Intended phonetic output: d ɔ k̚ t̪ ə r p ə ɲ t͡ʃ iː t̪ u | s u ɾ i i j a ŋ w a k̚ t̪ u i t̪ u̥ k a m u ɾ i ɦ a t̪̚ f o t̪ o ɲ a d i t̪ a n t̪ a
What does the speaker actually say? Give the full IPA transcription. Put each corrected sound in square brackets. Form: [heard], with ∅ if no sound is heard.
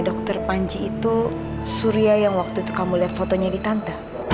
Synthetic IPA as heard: d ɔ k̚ t̪ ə r p [a] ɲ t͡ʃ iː t̪ u | s u ɾ i [a] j a ŋ w a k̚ t̪ u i t̪ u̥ k a m u [l] i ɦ a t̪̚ f o t̪ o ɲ a d i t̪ a n t̪ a